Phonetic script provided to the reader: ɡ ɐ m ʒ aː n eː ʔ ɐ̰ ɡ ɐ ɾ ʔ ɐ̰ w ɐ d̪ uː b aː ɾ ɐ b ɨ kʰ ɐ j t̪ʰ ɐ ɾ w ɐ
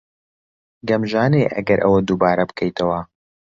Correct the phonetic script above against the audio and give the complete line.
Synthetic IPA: ɡ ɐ m ʒ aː n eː ʔ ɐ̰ ɡ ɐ ɾ ʔ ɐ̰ w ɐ d̪ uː b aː ɾ ɐ b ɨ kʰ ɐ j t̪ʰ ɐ w ɐ